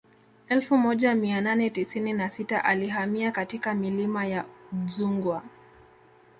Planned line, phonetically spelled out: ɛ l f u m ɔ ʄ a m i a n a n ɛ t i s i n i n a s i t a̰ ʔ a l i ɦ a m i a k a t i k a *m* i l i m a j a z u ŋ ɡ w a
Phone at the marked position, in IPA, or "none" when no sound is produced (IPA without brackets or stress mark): m